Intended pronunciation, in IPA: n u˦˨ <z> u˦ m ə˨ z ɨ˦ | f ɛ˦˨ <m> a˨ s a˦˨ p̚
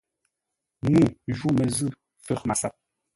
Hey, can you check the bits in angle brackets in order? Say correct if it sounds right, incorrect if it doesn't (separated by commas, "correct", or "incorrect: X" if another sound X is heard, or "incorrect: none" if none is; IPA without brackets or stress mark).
incorrect: ʒ, correct